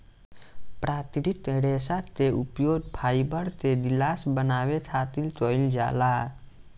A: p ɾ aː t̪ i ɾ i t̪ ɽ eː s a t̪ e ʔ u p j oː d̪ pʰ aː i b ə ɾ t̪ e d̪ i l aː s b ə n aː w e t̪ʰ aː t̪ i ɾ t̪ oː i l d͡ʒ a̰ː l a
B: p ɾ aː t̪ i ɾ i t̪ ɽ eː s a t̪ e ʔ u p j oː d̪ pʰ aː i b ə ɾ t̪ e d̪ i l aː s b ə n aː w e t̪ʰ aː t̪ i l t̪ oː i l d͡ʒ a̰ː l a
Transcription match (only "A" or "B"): B